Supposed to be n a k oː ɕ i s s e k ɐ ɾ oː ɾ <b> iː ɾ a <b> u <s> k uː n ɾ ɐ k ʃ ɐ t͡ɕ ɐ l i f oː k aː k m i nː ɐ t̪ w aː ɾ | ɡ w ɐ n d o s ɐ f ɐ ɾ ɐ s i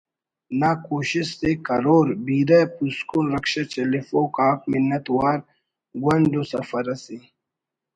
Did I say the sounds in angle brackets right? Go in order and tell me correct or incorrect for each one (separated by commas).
correct, incorrect, correct